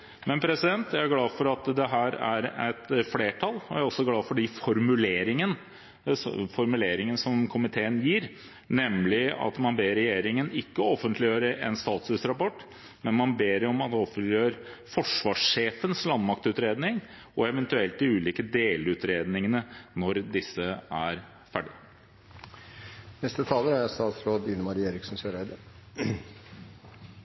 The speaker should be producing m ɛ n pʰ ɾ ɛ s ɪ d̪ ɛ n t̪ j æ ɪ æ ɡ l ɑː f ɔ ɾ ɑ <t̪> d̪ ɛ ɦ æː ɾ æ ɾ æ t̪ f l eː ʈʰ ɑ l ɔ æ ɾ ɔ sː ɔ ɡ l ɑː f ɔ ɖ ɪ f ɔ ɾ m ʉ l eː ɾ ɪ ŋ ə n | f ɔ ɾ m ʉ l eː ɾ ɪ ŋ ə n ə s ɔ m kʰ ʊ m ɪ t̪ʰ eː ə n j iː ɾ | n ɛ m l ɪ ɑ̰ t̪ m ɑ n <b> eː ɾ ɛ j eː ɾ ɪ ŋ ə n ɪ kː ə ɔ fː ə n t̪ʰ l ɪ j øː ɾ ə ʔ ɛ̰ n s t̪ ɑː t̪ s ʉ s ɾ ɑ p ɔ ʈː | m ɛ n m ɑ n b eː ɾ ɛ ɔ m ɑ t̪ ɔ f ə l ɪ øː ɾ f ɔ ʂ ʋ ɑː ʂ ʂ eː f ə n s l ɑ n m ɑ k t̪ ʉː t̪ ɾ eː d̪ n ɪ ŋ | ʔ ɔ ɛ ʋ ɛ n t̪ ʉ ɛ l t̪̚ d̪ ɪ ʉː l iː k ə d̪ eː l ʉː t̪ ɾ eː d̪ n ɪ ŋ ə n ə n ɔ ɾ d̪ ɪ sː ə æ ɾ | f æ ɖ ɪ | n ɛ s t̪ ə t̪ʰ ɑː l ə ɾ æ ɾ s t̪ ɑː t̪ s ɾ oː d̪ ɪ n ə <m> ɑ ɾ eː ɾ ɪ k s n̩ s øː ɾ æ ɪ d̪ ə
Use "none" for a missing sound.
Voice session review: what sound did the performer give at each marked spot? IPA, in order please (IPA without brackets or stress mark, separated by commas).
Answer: t̪, b, m